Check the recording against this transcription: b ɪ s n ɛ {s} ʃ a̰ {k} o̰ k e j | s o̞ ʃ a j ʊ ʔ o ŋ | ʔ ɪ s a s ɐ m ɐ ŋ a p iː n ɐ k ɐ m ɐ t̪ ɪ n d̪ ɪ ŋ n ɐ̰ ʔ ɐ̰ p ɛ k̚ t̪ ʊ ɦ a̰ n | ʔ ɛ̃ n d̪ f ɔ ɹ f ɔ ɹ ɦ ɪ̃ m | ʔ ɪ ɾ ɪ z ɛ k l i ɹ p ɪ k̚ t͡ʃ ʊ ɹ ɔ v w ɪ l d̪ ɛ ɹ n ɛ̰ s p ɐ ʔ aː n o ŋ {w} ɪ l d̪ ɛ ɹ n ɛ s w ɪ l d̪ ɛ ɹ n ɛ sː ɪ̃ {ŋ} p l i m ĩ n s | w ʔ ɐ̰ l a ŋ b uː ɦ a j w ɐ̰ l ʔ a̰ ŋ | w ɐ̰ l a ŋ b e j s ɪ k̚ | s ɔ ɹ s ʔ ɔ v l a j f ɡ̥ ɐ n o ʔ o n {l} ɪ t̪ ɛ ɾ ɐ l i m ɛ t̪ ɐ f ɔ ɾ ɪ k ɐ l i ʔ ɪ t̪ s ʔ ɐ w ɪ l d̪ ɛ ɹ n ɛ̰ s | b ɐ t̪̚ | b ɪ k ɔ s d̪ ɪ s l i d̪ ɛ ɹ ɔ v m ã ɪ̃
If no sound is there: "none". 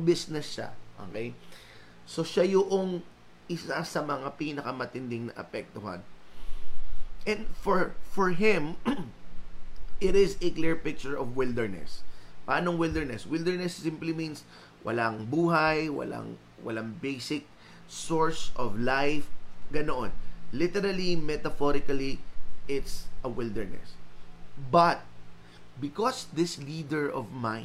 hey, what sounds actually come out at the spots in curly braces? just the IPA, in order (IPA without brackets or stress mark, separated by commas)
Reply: s, ʔ, w, m, l